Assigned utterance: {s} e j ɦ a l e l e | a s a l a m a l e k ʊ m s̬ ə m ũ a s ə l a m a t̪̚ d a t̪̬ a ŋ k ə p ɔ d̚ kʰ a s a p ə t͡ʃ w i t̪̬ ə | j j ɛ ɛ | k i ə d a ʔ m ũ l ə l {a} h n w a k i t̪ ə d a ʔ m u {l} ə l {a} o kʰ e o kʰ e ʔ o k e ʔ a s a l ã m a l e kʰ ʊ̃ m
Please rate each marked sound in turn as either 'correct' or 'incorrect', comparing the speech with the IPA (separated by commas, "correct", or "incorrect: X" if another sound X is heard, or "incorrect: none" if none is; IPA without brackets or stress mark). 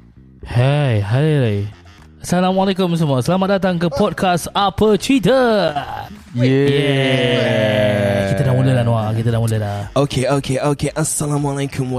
incorrect: h, correct, correct, correct